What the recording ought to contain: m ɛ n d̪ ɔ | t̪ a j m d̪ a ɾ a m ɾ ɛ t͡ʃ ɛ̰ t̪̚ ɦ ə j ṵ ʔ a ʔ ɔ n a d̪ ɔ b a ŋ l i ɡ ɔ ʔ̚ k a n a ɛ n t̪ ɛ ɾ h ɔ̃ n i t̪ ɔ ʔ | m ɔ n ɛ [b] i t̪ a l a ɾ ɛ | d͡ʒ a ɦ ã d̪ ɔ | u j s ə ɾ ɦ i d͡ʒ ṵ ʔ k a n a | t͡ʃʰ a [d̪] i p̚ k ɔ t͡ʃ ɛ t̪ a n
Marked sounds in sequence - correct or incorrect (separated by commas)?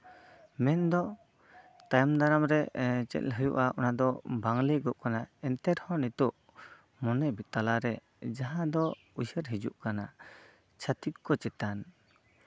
correct, incorrect